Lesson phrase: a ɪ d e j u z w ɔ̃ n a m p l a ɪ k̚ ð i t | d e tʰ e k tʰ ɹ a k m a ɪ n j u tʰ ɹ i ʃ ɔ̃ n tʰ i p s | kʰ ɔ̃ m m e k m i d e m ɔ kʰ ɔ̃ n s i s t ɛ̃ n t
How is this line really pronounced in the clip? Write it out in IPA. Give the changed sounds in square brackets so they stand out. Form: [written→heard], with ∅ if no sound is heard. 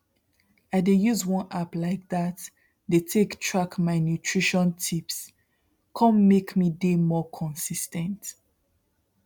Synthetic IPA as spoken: a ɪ d e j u z w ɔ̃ n a [m→∅] p l a ɪ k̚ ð [i→a] t | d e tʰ e k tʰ ɹ a k m a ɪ n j u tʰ ɹ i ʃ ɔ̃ n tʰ i p s | kʰ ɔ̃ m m e k m i d e m ɔ kʰ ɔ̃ n s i s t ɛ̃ n t